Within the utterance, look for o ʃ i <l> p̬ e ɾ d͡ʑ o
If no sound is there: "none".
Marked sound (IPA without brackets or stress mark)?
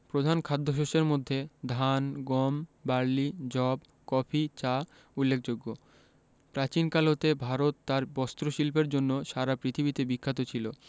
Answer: l